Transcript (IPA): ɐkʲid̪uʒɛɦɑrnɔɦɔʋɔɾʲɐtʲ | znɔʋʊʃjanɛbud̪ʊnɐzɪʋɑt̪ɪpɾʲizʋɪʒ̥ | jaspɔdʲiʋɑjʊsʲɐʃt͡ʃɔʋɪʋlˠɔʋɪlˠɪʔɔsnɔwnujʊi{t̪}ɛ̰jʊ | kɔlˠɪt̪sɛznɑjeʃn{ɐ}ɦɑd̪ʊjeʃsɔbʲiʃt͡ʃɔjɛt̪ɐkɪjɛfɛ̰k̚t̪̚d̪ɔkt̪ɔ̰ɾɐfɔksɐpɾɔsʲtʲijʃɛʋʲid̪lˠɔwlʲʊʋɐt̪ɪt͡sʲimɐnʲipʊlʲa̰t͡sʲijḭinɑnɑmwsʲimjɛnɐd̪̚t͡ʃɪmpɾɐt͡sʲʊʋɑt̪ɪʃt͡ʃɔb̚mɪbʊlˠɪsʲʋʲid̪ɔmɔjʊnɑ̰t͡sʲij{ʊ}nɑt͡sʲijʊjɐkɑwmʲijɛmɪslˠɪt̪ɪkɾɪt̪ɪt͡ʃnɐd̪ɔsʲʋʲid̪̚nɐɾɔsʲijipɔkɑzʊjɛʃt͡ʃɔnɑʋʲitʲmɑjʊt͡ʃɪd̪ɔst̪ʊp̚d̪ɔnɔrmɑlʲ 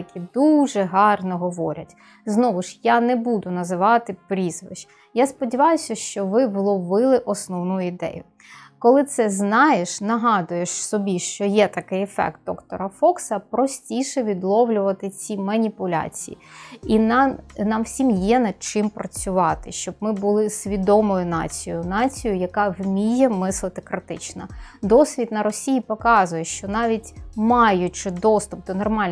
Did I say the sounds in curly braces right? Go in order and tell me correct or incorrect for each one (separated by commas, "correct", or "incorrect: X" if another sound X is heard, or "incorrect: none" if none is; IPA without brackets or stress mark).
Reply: incorrect: d̪, correct, correct